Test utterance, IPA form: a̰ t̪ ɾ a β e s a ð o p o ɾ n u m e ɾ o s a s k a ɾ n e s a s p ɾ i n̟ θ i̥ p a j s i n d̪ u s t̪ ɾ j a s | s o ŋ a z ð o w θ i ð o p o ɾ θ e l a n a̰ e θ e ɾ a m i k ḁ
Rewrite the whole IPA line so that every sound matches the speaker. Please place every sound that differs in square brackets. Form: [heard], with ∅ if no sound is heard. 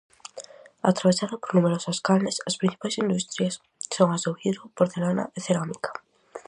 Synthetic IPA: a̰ t̪ ɾ a β e s a ð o p o ɾ n u m e ɾ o s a s k a [l] n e s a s p ɾ i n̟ θ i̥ p a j s i n d̪ u s t̪ ɾ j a s | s o ŋ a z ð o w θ i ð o p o ɾ θ e l a n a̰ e θ e ɾ a m i k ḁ